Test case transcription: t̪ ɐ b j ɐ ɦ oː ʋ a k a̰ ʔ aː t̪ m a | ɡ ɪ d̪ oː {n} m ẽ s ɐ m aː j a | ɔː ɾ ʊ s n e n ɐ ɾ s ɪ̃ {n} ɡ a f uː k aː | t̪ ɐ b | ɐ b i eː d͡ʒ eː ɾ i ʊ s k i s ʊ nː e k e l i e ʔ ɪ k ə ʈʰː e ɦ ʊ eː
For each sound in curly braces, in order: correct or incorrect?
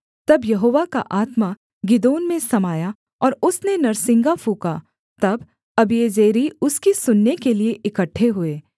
correct, incorrect: ŋ

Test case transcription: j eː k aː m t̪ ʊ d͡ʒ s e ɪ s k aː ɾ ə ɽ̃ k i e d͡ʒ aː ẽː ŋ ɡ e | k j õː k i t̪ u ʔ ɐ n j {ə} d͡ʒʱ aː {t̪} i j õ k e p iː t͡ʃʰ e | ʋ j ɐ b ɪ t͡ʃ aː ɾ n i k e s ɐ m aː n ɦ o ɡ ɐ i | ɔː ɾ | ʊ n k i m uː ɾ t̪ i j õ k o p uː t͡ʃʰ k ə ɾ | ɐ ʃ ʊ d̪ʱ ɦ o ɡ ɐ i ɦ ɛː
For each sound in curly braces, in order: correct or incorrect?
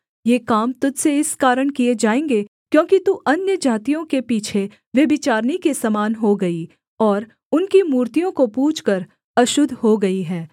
correct, correct

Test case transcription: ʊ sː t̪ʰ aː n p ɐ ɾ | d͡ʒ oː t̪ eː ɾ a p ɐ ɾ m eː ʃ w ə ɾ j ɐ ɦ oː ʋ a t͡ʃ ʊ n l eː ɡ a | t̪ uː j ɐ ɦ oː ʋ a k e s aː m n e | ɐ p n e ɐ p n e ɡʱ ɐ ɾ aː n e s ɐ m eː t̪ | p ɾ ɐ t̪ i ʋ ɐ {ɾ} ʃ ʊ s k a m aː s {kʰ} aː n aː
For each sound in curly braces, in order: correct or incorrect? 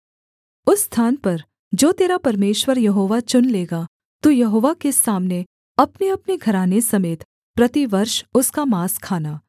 correct, correct

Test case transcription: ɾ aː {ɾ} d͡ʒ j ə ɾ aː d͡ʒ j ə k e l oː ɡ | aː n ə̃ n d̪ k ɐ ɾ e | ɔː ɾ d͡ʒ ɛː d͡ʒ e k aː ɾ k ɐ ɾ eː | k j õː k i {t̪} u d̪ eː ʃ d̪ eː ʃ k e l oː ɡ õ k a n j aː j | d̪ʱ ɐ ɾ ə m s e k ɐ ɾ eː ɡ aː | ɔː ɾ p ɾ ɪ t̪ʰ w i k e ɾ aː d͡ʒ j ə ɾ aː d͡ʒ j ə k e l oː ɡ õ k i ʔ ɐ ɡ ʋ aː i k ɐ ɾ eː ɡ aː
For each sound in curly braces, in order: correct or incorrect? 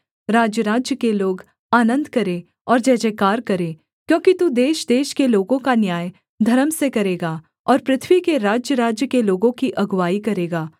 incorrect: none, correct

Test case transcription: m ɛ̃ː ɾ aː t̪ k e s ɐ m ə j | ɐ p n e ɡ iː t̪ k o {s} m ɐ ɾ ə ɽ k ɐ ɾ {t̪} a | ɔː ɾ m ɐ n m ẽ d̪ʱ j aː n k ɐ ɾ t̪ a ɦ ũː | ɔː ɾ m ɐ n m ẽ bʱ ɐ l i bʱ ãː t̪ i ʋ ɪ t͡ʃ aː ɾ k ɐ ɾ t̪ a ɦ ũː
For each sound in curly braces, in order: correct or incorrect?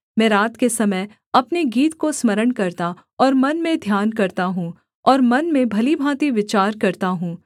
correct, correct

